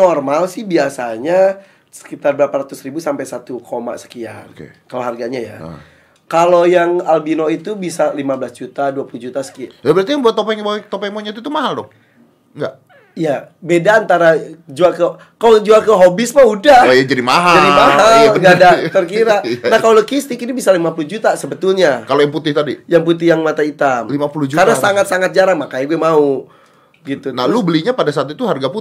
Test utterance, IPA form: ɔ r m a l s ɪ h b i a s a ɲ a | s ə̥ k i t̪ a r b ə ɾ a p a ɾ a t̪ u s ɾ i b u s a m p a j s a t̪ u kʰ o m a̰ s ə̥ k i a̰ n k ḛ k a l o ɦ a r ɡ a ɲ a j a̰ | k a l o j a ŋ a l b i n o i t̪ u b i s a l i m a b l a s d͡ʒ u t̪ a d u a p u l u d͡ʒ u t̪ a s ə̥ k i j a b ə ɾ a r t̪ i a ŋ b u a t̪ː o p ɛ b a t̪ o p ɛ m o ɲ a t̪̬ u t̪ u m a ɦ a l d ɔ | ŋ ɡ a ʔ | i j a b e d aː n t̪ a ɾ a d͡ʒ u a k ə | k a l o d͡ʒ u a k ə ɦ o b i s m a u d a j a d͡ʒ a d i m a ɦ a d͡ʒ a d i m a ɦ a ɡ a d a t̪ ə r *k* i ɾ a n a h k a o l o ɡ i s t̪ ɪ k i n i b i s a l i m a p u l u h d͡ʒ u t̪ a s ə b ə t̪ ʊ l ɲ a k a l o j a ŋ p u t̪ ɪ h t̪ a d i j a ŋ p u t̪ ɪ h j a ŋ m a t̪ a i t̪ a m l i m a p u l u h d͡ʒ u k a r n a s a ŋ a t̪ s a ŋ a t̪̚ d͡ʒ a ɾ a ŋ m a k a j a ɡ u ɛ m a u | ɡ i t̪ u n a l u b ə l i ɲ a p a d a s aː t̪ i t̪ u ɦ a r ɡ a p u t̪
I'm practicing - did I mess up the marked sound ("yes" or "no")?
no